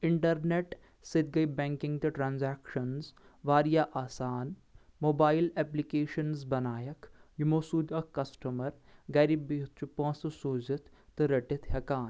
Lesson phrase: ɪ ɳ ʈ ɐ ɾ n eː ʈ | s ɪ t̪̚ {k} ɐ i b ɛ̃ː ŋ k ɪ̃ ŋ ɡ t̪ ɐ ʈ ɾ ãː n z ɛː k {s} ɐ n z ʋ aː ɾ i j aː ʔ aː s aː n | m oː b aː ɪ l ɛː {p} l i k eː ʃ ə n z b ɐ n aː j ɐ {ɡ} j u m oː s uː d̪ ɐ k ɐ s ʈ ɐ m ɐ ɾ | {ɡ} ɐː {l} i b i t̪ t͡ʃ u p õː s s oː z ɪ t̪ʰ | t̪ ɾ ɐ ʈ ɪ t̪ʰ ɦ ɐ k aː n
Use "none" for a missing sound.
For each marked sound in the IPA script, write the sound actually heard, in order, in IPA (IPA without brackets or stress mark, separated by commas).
ɡ, ʃ, p, k, ɡ, ɾ